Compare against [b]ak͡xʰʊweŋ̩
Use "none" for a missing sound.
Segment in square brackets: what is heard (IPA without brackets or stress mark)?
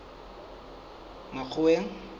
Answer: m